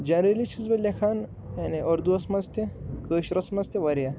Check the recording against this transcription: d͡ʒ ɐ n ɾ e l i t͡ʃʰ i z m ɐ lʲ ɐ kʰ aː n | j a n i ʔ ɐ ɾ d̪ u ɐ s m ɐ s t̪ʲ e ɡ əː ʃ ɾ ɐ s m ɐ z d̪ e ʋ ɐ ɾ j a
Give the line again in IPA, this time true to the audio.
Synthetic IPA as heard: d͡ʒ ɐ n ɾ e l i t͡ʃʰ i z b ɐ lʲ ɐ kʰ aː n | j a n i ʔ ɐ ɾ d̪ u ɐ s m ɐ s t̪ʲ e k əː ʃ ɾ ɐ s m ɐ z t̪ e ʋ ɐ ɾ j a